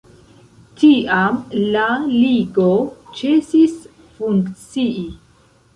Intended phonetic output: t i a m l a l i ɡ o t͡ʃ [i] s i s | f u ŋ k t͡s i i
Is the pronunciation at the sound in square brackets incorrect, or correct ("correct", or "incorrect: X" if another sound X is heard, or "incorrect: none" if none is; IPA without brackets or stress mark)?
incorrect: e